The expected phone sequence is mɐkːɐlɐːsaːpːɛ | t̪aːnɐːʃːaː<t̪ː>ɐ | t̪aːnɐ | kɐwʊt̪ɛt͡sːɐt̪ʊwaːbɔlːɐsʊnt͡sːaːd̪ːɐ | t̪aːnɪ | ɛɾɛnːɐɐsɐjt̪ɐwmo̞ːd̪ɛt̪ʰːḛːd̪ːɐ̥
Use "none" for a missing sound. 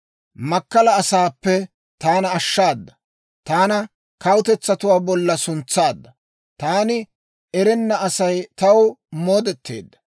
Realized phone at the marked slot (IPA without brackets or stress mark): d̪ː